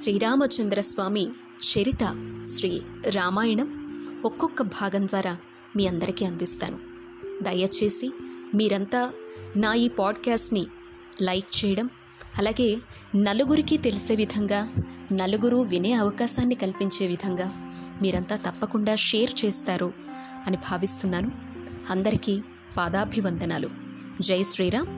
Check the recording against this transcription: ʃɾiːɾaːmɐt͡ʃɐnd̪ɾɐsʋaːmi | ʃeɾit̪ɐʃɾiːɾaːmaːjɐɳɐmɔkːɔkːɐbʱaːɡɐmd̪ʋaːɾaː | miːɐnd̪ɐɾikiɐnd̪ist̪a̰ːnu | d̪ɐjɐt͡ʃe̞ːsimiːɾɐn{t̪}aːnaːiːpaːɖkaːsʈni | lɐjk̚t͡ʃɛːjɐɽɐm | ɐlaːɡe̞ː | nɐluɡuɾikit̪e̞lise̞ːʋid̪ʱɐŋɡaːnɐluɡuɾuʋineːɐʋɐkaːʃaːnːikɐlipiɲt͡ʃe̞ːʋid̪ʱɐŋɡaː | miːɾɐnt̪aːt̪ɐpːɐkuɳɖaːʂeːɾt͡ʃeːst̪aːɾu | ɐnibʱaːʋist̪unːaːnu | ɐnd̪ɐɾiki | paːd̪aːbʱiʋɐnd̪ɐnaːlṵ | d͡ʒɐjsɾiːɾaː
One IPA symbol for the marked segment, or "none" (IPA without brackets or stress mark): t̪